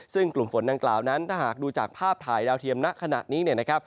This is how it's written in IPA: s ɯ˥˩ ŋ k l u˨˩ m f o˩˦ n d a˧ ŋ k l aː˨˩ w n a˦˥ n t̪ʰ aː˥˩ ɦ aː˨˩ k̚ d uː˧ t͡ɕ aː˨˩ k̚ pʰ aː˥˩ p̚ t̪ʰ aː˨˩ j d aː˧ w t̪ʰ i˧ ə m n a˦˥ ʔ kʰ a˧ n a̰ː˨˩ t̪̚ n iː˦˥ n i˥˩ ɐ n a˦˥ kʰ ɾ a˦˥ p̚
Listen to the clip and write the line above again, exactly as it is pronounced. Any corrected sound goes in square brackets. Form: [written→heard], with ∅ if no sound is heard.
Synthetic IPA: s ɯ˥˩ ŋ k l u˨˩ m f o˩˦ n d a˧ ŋ k l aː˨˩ w n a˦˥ n t̪ʰ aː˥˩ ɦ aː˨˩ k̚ d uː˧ t͡ɕ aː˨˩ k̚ pʰ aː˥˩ p̚ t̪ʰ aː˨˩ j d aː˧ w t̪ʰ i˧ ə m n a˦˥ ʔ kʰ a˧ n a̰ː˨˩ t̪̚ n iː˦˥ n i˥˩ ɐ n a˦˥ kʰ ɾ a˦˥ p̚